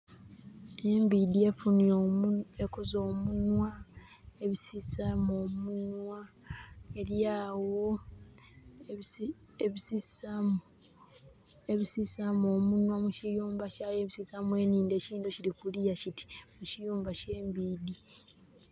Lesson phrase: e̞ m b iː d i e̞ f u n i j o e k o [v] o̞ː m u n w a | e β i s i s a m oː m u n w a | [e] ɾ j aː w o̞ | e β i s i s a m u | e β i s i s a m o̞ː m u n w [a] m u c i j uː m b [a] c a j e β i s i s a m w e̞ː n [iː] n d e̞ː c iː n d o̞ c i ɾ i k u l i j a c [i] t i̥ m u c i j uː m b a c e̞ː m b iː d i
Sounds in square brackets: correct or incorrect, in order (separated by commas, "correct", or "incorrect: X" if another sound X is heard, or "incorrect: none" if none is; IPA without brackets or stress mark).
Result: incorrect: z, correct, correct, correct, correct, correct